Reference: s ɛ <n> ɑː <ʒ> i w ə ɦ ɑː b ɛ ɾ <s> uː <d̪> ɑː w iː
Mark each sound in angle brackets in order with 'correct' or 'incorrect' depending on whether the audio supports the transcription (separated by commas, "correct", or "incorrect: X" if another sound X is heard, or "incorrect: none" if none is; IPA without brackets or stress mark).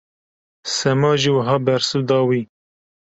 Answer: incorrect: m, correct, correct, correct